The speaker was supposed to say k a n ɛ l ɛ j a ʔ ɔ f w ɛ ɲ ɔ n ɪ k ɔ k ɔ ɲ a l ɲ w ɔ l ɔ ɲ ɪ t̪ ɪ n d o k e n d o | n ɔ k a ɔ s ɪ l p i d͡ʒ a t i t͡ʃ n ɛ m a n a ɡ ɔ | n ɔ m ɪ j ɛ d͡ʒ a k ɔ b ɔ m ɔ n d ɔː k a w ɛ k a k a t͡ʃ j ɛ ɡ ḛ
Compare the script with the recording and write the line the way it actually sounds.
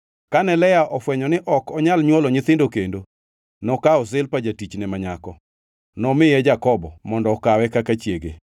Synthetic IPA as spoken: k a n ɛ l ɛ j a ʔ ɔ f w ɛ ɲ ɔ n ɪ ʔ ɔ k ɔ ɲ a l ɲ w ɔ l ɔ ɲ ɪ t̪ ɪ n d o k e n d o | n ɔ k a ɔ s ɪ l p a d͡ʒ a t i t͡ʃ n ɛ m a ɲ a k ɔ | n ɔ m ɪ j ɛ d͡ʒ a k ɔ b ɔ m ɔ n d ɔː k a w ɛ k a k a t͡ʃ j e ɡ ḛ